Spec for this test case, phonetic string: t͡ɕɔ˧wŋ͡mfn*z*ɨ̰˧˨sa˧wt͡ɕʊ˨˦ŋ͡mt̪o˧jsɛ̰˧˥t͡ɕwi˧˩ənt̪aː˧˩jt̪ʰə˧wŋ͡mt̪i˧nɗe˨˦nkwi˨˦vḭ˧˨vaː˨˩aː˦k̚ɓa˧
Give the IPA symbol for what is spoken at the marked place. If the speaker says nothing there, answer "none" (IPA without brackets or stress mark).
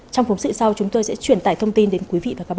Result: s